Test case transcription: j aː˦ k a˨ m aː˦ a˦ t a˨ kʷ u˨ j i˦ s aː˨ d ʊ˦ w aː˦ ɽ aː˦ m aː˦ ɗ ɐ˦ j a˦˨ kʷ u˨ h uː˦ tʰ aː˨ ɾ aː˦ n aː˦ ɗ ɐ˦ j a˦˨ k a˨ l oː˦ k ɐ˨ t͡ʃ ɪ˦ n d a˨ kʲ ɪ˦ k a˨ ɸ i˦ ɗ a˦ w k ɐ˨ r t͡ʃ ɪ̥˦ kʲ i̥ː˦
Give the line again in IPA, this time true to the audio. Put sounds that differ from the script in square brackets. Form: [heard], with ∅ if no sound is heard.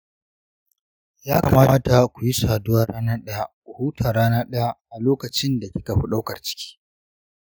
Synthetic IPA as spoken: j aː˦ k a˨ m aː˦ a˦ t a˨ kʷ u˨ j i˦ s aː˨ d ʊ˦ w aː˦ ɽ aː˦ [n] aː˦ ɗ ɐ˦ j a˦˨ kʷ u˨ h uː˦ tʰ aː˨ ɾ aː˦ n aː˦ ɗ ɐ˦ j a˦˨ [ʔ] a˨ l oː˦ k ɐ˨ t͡ʃ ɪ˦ n d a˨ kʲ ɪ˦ k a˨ ɸ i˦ ɗ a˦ w k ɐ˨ r t͡ʃ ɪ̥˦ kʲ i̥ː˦

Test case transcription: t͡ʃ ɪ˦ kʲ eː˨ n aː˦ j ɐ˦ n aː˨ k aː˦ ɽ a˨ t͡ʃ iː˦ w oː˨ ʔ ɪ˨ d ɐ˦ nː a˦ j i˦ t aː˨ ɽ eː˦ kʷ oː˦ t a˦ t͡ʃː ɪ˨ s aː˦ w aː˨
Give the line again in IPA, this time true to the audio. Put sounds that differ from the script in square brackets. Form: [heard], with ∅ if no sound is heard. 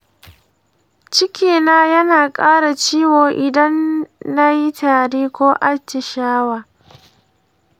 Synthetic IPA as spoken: t͡ʃ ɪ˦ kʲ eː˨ n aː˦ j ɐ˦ n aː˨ [kʼ] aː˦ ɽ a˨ t͡ʃ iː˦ w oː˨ ʔ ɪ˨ d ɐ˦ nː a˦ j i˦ t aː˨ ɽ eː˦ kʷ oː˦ [ʔ] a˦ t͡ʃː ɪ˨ [ʃ] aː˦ w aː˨

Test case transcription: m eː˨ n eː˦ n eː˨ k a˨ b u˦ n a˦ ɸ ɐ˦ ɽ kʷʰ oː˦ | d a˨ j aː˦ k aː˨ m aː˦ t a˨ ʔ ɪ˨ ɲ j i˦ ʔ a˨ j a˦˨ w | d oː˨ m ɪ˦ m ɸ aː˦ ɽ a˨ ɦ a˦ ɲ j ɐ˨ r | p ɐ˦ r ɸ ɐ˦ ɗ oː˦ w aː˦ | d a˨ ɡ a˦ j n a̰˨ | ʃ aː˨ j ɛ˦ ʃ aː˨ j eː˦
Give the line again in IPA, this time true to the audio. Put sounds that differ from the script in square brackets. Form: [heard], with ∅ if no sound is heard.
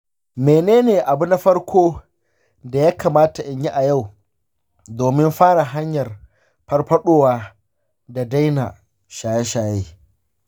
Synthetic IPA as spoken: m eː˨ n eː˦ n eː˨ [ʔ] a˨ b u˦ n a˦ ɸ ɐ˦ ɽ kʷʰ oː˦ | d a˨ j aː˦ k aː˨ m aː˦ t a˨ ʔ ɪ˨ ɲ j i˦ ʔ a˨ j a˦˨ w | d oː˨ m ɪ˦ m ɸ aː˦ ɽ a˨ ɦ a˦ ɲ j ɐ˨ r | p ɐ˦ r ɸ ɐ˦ ɗ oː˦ w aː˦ | d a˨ [d] a˦ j n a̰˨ | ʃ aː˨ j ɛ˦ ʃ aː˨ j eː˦

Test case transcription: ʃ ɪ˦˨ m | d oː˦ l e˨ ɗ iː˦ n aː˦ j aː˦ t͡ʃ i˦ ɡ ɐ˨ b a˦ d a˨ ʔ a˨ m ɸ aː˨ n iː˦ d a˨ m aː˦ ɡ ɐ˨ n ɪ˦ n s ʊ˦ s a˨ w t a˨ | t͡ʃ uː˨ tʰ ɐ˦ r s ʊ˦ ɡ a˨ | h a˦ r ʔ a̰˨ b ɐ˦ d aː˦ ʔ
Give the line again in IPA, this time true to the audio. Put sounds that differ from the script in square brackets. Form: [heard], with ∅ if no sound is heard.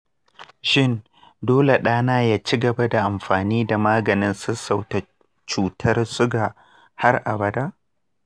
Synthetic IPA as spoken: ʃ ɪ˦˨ [n] | d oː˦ l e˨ ɗ [aː˦] n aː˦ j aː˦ t͡ʃ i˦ ɡ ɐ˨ b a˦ d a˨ ʔ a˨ m ɸ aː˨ n iː˦ d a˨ m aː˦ ɡ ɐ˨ n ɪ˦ n s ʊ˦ s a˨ w t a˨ | t͡ʃ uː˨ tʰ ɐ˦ r s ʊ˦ ɡ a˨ | h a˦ r ʔ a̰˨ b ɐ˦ d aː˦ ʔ

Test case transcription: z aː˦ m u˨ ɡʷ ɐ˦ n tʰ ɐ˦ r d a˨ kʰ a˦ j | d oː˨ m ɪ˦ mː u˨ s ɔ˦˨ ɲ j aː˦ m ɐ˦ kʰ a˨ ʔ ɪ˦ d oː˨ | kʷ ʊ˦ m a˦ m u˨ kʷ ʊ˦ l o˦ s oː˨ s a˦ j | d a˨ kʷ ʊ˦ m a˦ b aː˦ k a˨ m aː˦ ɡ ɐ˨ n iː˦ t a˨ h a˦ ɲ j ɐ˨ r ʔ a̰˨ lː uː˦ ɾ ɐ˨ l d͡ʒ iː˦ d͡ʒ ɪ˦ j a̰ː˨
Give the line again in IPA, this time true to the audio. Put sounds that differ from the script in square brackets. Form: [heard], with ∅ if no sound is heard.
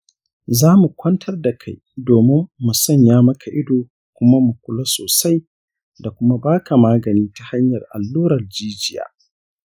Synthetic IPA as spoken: z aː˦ m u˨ [kʷ] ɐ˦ n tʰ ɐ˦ r d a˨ kʰ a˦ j | d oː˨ m ɪ˦ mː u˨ s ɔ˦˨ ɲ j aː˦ m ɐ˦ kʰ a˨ ʔ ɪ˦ d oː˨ | kʷ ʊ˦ m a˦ m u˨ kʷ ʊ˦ l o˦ s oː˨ s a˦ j | d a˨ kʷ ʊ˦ m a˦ b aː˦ k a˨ m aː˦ ɡ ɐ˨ n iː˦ t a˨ h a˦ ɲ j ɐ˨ r ʔ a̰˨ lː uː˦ ɾ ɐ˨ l d͡ʒ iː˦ d͡ʒ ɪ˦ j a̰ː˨

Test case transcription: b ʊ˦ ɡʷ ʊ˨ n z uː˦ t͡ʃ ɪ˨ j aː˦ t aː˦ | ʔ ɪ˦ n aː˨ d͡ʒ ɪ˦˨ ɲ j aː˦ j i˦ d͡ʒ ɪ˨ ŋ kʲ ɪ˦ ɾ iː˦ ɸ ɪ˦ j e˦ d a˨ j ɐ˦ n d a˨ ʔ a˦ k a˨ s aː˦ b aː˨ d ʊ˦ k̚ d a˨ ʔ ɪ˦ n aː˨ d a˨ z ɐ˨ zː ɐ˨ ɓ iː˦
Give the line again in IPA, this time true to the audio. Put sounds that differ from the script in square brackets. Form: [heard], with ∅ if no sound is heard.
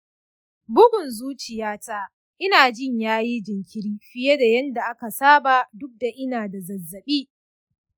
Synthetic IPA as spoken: b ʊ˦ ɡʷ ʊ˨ n z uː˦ t͡ʃ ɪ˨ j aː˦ t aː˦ | ʔ ɪ˦ n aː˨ d͡ʒ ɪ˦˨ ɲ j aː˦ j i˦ d͡ʒ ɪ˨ ŋ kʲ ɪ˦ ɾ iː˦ ɸ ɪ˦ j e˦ d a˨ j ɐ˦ n d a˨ ʔ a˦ k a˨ s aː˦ b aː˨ d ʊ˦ k̚ d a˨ ʔ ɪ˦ n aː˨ d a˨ z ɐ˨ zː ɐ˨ ɓ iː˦

